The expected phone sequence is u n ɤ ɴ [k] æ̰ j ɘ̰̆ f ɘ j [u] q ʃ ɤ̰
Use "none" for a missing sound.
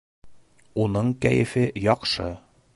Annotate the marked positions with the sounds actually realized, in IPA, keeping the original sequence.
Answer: k, ɒ

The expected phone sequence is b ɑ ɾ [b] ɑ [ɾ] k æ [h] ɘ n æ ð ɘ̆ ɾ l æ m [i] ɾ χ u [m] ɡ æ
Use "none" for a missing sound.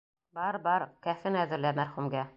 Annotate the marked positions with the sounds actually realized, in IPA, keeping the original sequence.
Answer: b, ɾ, f, æ, m

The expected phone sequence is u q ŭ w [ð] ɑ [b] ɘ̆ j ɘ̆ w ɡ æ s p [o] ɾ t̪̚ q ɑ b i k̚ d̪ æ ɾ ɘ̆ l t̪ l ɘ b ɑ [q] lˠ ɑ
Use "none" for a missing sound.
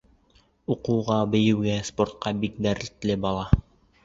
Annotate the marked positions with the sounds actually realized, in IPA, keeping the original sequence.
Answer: ʁ, b, o, none

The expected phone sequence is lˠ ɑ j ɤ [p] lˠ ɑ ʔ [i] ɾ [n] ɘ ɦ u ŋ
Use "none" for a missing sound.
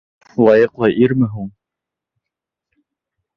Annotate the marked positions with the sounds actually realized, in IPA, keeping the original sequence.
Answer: q, i, m

